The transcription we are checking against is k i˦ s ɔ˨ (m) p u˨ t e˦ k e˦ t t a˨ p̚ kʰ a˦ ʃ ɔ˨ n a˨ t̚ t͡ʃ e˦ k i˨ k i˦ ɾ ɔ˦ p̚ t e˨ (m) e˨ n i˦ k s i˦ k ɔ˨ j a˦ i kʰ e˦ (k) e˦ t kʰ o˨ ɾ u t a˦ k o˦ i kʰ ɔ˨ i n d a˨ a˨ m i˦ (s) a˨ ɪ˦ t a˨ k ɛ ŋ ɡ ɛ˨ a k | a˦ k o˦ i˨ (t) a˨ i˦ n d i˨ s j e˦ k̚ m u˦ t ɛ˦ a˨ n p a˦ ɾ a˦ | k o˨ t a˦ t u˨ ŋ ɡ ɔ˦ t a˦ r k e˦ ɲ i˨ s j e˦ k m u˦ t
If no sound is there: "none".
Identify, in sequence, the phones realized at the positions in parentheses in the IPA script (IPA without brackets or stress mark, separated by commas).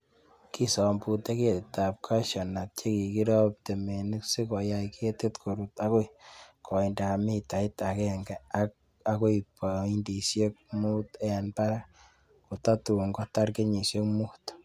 m, m, t, t, p